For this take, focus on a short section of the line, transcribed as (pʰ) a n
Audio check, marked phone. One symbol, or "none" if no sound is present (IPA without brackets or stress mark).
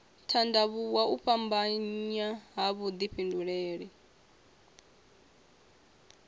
tʰ